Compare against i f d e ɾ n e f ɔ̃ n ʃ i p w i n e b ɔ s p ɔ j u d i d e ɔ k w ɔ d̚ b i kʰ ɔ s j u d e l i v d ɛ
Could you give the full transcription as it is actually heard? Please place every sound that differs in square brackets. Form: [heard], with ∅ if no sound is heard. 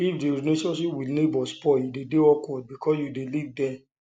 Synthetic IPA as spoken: i f d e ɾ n e [ʃ] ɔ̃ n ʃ i p w i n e b ɔ s p ɔ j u d [e] d e ɔ k w ɔ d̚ b i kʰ ɔ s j u d e l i v d ɛ